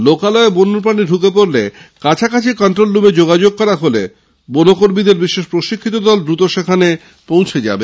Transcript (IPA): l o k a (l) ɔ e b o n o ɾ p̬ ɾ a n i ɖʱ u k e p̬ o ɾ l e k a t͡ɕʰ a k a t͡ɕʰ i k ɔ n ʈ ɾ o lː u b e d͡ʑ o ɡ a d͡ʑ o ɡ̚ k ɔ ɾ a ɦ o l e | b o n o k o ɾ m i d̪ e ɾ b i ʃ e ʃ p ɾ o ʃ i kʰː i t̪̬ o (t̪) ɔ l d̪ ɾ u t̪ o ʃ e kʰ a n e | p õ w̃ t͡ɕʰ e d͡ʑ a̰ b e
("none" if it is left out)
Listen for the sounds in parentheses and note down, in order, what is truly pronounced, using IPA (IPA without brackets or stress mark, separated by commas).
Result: l, d̪